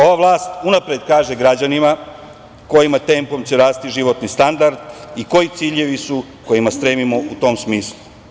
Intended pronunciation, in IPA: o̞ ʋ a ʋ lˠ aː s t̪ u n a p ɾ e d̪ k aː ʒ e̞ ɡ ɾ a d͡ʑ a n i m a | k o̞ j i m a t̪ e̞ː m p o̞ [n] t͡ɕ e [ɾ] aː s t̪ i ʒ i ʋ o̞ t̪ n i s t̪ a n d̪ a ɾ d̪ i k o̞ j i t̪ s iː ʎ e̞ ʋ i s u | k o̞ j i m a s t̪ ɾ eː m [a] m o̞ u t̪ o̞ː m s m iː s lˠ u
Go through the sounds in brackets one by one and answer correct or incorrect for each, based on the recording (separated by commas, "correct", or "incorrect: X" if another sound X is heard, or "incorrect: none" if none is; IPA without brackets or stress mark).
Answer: incorrect: m, correct, incorrect: i